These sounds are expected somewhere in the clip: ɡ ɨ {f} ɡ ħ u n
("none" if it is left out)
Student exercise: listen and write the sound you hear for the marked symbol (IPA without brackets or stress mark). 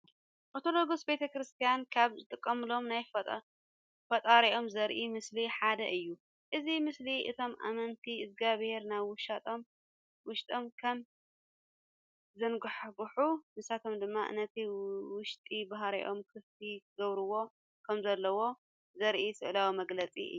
ħ